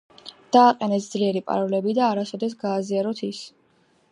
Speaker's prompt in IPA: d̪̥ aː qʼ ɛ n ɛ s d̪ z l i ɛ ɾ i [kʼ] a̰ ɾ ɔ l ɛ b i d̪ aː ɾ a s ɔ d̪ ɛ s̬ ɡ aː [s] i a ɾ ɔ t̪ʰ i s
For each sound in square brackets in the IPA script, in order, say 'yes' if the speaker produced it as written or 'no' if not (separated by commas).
no, no